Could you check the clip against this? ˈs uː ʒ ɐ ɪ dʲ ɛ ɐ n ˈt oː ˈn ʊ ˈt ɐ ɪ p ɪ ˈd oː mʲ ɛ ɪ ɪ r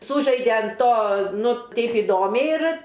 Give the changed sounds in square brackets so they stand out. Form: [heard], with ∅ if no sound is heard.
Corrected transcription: ˈs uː ʒ ɐ ɪ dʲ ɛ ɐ n ˈt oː ˈn ʊ ˈt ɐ ɪ p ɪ ˈd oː mʲ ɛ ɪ ɪ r